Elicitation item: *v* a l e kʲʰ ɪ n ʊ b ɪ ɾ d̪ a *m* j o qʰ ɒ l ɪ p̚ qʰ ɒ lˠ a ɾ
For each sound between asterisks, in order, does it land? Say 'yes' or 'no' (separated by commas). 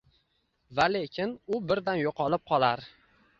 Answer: yes, no